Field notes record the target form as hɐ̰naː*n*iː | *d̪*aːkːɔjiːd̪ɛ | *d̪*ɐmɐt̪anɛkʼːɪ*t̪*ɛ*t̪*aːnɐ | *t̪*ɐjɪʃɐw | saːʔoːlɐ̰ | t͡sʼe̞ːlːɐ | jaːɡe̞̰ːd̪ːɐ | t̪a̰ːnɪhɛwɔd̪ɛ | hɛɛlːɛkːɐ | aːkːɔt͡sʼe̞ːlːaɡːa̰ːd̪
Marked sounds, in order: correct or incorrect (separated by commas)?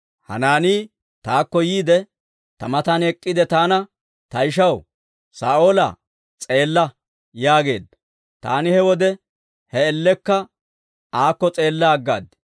correct, incorrect, incorrect, incorrect, correct, correct